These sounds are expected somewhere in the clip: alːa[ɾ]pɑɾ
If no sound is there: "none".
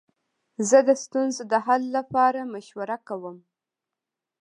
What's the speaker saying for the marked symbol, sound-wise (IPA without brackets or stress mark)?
none